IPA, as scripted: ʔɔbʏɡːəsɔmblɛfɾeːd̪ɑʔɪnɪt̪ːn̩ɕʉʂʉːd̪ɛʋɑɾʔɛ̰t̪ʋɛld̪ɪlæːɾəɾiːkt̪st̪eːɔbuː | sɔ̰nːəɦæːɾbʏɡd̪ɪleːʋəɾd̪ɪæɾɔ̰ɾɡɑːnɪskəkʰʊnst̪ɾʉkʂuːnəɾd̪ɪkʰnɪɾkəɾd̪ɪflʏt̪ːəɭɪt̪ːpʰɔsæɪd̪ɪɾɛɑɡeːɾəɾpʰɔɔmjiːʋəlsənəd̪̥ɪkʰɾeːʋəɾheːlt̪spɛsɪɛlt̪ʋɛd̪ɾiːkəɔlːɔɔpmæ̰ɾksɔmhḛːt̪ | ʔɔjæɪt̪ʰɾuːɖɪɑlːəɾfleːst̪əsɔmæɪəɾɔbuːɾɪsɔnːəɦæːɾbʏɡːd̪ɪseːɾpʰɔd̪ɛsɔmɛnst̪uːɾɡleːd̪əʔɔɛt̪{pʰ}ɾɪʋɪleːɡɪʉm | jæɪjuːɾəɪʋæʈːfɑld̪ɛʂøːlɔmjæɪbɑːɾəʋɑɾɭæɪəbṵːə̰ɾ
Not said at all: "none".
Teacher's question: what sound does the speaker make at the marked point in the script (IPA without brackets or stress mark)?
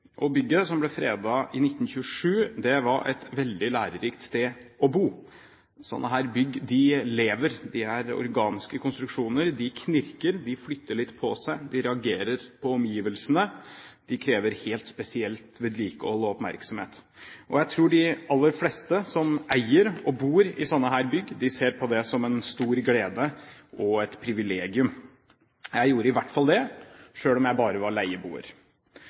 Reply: pʰ